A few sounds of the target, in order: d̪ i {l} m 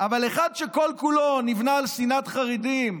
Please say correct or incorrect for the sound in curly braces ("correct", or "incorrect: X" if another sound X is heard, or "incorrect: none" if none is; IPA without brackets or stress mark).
incorrect: none